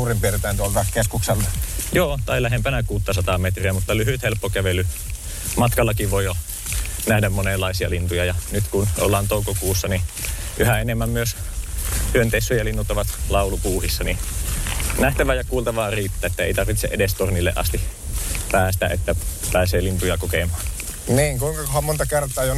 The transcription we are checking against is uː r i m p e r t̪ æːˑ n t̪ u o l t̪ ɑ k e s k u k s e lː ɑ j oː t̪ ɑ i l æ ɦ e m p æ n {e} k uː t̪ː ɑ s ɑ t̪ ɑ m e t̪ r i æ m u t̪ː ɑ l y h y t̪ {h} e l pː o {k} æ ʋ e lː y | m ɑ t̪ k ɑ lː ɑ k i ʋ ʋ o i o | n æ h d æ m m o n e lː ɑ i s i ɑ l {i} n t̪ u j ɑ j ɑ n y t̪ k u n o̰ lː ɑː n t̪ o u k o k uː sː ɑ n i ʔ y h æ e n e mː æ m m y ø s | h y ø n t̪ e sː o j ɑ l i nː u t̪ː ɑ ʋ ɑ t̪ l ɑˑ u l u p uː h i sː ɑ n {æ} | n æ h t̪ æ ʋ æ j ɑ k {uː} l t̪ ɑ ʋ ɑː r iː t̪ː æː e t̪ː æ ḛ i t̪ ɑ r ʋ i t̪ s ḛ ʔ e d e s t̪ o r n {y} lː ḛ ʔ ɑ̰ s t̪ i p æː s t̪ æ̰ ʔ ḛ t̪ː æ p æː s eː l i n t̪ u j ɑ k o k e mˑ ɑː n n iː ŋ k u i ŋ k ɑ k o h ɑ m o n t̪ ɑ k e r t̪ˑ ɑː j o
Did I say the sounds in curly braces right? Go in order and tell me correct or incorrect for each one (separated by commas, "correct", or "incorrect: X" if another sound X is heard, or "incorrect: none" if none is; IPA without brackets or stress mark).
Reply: incorrect: æ, correct, correct, correct, incorrect: i, correct, incorrect: i